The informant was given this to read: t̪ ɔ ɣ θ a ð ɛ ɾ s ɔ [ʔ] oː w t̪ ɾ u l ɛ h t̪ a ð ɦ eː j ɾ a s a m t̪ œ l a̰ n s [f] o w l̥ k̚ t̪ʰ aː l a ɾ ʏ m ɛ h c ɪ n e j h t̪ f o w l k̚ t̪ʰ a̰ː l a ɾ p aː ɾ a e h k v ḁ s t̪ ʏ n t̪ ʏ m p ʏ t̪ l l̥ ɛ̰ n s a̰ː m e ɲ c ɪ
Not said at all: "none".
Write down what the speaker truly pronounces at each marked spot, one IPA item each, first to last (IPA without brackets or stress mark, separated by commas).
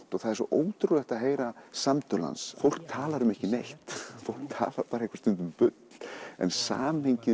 ʔ, f